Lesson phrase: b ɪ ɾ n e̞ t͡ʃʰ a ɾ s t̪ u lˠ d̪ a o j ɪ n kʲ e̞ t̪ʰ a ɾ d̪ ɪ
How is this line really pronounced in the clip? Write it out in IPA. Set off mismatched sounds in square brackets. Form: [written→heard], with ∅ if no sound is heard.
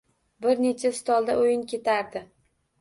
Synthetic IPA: b ɪ ɾ n e̞ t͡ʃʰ a [ɾ→∅] s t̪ [u→ɒ] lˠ d̪ a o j ɪ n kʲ e̞ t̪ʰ a ɾ d̪ ɪ